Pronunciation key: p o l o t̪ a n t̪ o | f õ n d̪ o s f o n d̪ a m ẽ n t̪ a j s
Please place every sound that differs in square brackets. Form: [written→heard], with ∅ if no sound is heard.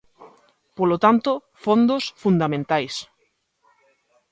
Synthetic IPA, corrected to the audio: p o l o t̪ a n t̪ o | f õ n d̪ o s f [o→u] n d̪ a m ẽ n t̪ a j s